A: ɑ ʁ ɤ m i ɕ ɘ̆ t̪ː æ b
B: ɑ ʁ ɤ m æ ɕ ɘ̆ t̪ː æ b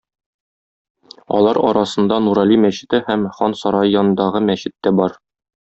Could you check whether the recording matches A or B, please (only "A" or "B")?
B